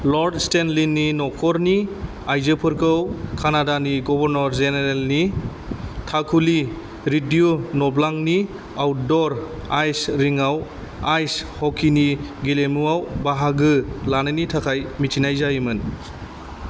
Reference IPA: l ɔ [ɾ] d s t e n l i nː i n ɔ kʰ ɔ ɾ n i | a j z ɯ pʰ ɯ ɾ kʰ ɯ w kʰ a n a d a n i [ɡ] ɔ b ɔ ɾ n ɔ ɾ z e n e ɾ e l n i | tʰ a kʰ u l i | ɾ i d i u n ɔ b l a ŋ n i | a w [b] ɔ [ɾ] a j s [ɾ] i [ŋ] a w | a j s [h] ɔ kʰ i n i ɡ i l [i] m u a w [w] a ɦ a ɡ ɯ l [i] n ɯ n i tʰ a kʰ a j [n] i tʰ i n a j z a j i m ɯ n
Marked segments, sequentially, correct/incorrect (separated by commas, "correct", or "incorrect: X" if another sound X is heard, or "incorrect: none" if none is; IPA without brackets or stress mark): correct, correct, incorrect: d, correct, correct, correct, correct, incorrect: e, incorrect: b, incorrect: a, incorrect: m